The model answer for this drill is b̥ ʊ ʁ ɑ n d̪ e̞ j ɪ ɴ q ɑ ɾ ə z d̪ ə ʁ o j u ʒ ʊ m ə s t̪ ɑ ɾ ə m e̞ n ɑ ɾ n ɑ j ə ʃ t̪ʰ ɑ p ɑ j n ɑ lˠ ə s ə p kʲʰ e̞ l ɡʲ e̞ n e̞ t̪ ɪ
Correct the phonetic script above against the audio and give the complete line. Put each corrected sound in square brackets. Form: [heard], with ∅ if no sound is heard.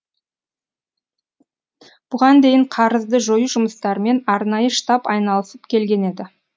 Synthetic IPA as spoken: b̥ ʊ ʁ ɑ n d̪ e̞ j ɪ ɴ [qʰ] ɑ ɾ ə z d̪ ə [ʒ] o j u ʒ ʊ m ə s t̪ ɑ ɾ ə m e̞ n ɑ ɾ n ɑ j ə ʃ [t̪] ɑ p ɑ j n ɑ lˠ ə s ə p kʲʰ e̞ l ɡʲ e̞ n e̞ [d̪] ɪ

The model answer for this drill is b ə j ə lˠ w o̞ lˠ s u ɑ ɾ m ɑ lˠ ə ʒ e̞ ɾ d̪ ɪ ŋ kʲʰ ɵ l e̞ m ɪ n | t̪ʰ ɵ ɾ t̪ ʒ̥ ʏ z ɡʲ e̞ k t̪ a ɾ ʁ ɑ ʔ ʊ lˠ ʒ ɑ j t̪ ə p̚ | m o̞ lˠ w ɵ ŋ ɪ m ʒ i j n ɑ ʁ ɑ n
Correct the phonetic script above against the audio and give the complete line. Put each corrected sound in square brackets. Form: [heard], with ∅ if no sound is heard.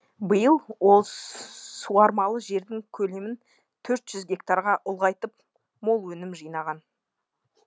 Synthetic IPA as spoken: b ə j ə lˠ w o̞ lˠ s u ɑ ɾ m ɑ lˠ ə ʒ e̞ ɾ d̪ ɪ ŋ kʲʰ ɵ l e̞ m ɪ n | t̪ʰ ɵ ɾ t̪ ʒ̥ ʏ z ɡʲ e̞ k t̪ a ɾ ʁ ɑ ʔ ʊ lˠ [ʁ] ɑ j t̪ ə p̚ | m o̞ lˠ w ɵ [n] ɪ m ʒ i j n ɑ ʁ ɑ n

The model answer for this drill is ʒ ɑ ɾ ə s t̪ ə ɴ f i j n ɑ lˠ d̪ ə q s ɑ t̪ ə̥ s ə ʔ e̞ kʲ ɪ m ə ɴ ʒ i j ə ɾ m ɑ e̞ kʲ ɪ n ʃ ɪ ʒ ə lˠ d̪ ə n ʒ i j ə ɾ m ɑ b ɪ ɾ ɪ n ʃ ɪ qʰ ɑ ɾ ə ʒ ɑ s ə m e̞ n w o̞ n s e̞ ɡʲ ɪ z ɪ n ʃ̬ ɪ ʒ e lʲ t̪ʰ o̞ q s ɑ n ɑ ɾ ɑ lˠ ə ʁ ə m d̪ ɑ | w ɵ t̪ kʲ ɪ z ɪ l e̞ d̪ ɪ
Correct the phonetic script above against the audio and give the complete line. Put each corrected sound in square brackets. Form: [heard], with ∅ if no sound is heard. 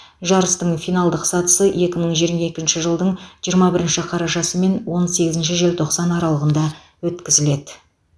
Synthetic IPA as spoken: ʒ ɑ ɾ ə s t̪ ə ɴ f i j n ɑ lˠ d̪ ə q s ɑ t̪ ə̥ s ə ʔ e̞ kʲ ɪ m ə ɴ ʒ i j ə ɾ m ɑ e̞ kʲ ɪ n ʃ ɪ ʒ ə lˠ d̪ ə [ɴ] ʒ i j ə ɾ m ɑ b ɪ ɾ ɪ n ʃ ɪ qʰ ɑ ɾ [ɑ] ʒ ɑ s ə m e̞ n w o̞ n s e̞ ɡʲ ɪ z ɪ n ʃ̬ ɪ ʒ e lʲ t̪ʰ o̞ q s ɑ n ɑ ɾ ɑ lˠ ə ʁ ə [n] d̪ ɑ | w ɵ t̪ kʲ ɪ z ɪ l e̞ d̪ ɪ

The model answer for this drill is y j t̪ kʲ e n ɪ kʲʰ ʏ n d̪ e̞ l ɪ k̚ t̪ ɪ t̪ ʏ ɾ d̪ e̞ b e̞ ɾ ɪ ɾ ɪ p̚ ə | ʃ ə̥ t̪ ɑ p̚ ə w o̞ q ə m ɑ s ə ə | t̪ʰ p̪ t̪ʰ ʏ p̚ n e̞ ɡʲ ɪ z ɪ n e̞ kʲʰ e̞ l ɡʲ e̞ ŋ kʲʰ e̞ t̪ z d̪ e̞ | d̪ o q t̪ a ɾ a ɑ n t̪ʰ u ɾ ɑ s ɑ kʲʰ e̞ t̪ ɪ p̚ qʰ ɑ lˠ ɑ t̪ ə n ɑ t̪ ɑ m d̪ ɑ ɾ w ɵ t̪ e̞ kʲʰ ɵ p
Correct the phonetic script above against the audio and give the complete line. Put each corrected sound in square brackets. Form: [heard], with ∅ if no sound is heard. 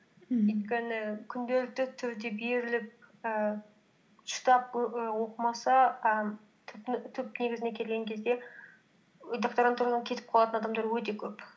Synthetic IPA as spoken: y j t̪ kʲ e n ɪ kʲʰ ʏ n d̪ e̞ l ɪ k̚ t̪ ɪ [t̪ʰ] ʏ ɾ d̪ e̞ b e̞ ɾ ɪ [l] ɪ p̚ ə | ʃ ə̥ t̪ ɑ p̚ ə w o̞ q ə m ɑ s [ɑ] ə | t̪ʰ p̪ t̪ʰ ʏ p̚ n e̞ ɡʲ ɪ z ɪ n e̞ kʲʰ e̞ l ɡʲ e̞ ŋ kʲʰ e̞ [∅] z d̪ e̞ | d̪ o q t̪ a ɾ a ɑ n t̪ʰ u ɾ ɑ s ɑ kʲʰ e̞ t̪ ɪ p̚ qʰ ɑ lˠ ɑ t̪ ə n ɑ [d̪] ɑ m d̪ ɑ ɾ w ɵ t̪ e̞ kʲʰ ɵ p

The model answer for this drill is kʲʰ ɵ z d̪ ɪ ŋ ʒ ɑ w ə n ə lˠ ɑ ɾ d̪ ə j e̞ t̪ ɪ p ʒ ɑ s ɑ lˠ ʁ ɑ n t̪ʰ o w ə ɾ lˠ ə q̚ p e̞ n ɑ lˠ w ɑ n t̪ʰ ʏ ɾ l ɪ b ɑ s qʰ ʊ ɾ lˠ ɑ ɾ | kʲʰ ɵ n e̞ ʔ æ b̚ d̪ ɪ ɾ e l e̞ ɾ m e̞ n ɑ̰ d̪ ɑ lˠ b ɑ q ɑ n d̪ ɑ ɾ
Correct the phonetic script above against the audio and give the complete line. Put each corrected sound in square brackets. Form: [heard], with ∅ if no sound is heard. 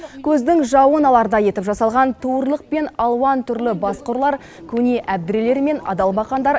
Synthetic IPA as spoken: kʲʰ ɵ z d̪ ɪ ŋ ʒ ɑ w ə n [ɑ] lˠ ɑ ɾ d̪ [ɑ] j e̞ t̪ ɪ p ʒ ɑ s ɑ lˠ ʁ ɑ n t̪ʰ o w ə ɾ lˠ ə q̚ p e̞ n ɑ lˠ w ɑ n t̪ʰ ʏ ɾ l ɪ b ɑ s [q] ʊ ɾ lˠ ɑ ɾ | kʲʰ ɵ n e̞ ʔ æ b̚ d̪ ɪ ɾ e l e̞ ɾ m e̞ n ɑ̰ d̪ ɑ lˠ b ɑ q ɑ n d̪ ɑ ɾ

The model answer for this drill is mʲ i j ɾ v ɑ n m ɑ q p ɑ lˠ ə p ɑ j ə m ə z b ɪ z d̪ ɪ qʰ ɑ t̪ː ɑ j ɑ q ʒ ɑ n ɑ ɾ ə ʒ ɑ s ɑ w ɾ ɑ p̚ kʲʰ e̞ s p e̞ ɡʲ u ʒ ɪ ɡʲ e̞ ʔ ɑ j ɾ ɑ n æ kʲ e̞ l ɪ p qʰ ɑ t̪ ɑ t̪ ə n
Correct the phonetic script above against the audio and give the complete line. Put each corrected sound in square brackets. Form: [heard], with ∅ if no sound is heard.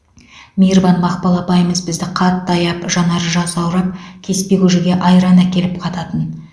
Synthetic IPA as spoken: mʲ i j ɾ v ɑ n m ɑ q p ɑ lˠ [ɑ] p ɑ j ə m ə z b ɪ z d̪ ɪ qʰ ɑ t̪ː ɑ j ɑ [p] ʒ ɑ n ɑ ɾ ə ʒ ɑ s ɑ w ɾ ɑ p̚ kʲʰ e̞ s p e̞ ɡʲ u ʒ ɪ ɡʲ e̞ ʔ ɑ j ɾ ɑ n æ kʲ e̞ l ɪ p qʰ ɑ t̪ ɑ t̪ ə n

